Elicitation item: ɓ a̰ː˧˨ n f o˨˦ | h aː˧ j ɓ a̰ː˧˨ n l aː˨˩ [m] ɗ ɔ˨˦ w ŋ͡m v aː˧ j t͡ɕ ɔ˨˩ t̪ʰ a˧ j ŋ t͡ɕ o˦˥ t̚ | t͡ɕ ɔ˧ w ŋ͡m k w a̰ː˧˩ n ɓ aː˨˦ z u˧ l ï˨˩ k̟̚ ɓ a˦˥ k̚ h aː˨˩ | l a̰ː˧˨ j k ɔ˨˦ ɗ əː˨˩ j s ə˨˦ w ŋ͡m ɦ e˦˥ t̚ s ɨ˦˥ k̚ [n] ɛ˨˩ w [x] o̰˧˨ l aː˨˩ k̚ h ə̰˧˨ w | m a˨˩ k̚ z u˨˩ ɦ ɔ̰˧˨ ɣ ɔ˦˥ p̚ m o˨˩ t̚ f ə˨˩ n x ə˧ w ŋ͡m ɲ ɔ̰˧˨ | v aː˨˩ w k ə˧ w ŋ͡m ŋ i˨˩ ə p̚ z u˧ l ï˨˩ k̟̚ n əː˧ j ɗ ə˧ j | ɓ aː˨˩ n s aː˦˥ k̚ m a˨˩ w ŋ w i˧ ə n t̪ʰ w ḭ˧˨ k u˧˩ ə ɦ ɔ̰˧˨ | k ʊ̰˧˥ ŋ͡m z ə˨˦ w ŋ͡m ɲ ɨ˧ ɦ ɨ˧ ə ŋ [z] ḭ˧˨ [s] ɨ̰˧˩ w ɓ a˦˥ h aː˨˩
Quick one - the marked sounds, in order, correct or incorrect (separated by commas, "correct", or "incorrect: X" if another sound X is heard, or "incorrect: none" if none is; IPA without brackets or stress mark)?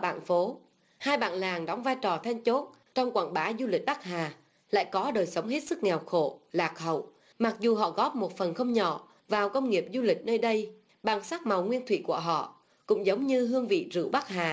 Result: incorrect: ŋ, incorrect: ŋ, correct, incorrect: v, incorrect: z